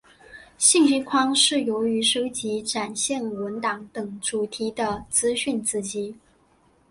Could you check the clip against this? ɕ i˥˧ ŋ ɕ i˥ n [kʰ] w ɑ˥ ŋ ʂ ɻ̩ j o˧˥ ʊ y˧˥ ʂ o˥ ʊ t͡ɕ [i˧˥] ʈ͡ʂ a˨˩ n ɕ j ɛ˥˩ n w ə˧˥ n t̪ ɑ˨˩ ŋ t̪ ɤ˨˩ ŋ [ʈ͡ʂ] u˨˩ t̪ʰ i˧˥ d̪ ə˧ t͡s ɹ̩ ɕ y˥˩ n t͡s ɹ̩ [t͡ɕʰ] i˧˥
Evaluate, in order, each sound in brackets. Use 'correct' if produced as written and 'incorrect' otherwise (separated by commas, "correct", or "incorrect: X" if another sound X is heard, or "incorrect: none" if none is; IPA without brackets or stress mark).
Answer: correct, correct, correct, incorrect: t͡ɕ